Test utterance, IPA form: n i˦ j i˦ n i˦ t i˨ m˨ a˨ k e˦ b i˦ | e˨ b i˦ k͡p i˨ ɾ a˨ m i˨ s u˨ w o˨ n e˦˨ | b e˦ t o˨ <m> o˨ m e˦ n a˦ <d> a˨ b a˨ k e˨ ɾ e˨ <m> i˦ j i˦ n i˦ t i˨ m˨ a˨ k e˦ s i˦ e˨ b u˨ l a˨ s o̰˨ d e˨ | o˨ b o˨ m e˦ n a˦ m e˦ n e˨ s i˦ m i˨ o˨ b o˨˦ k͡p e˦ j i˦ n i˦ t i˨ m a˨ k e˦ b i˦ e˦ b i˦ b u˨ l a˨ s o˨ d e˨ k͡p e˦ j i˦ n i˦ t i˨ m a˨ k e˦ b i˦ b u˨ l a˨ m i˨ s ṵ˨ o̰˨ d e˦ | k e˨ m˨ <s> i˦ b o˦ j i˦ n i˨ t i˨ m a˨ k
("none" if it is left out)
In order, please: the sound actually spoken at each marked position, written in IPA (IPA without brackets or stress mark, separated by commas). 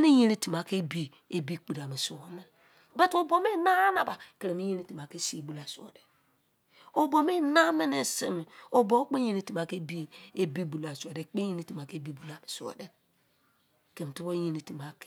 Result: b, n, m, t